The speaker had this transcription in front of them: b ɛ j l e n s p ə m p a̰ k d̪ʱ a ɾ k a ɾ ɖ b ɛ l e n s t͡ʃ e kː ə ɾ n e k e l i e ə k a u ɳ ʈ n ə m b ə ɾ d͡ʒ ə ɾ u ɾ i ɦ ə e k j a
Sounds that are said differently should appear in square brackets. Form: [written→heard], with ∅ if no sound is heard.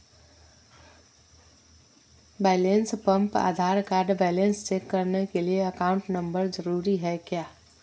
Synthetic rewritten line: b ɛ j l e n s p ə m p a̰ [k→∅] d̪ʱ a ɾ k a ɾ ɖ b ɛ l e n s t͡ʃ e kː ə ɾ n e k e l i e ə k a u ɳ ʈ n ə m b ə ɾ d͡ʒ ə ɾ u ɾ i ɦ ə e k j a